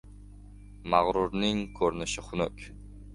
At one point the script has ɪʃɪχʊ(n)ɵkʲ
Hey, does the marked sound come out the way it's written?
yes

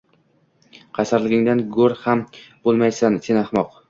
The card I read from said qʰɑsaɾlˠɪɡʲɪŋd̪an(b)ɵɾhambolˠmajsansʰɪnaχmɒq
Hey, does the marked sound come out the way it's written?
no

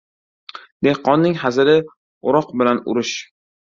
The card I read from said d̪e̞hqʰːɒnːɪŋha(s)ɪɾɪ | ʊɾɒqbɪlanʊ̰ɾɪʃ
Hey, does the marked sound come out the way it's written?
no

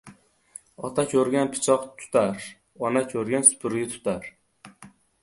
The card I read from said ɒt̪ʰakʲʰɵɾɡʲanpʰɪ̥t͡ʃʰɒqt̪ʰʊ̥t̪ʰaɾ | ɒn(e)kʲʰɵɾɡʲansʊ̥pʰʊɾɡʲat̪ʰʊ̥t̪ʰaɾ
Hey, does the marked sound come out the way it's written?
no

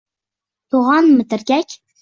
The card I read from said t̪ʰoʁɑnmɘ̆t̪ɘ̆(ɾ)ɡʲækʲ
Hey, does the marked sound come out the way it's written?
yes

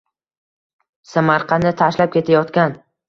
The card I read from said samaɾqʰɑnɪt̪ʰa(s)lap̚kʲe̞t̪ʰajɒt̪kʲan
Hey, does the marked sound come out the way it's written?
no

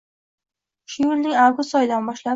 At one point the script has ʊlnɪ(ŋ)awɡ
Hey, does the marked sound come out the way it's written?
yes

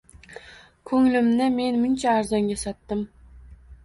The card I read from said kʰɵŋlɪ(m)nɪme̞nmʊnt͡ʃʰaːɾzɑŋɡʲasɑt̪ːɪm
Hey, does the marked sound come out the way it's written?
yes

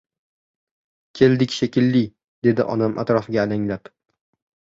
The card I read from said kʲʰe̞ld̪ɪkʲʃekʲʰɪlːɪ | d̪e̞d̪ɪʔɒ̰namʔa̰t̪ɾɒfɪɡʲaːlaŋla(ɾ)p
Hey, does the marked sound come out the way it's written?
no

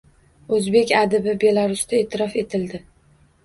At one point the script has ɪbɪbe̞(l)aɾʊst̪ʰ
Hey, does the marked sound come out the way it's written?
yes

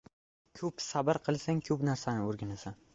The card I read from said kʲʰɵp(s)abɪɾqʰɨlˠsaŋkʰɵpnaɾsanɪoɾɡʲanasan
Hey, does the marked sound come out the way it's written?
yes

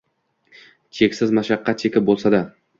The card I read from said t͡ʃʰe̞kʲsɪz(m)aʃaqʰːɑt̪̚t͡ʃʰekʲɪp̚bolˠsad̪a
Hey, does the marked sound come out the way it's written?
yes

